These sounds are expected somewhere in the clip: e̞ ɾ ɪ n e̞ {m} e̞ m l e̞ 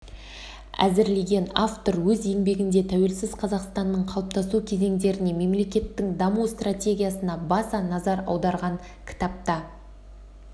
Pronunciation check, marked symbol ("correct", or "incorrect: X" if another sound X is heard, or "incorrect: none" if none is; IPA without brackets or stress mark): correct